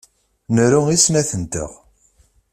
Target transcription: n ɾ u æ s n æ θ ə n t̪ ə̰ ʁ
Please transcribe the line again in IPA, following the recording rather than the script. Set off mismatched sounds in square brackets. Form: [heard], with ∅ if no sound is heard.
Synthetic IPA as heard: n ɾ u [i] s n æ θ ə n t̪ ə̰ ʁ